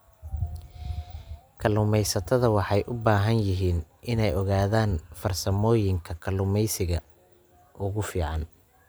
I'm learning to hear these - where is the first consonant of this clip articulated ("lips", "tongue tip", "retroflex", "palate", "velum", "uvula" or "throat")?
velum